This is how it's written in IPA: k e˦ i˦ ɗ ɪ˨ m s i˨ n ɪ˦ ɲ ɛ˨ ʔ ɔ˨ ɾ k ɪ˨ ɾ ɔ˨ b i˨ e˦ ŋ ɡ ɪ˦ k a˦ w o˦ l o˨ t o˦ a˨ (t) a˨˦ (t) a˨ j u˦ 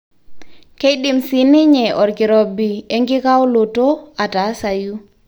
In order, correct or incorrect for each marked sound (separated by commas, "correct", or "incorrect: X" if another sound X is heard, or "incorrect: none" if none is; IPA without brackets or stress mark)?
correct, incorrect: s